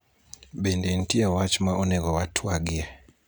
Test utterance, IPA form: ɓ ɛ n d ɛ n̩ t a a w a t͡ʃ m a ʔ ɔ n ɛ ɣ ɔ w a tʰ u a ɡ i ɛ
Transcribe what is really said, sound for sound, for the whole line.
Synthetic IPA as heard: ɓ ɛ n d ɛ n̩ t i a w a t͡ʃ m a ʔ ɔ n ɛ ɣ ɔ w a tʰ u a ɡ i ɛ